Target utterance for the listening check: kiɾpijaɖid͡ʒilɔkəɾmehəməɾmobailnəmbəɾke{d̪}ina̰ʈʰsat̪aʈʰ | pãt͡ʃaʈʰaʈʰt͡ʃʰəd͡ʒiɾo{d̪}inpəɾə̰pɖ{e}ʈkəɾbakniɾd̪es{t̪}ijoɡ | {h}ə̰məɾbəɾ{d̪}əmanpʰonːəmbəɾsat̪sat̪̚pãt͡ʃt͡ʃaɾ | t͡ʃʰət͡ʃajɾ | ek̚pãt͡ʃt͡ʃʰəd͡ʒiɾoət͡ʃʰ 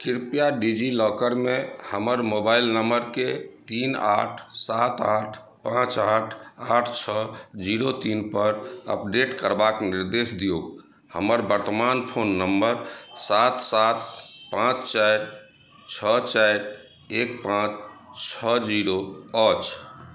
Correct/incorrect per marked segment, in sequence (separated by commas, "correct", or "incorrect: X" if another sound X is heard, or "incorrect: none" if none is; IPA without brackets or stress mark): incorrect: t̪, incorrect: t̪, correct, incorrect: d̪, correct, incorrect: t̪